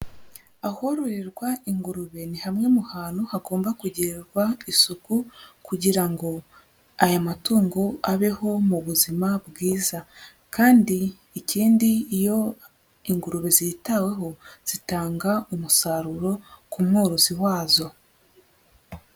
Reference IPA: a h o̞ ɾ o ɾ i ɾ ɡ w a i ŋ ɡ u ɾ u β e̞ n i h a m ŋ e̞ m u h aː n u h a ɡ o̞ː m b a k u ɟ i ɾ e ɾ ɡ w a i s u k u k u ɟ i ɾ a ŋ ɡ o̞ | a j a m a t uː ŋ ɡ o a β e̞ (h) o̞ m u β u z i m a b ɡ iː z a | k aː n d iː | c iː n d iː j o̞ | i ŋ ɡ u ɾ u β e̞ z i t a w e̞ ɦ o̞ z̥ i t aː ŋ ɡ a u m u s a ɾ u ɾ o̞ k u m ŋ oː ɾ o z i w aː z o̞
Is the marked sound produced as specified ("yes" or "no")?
yes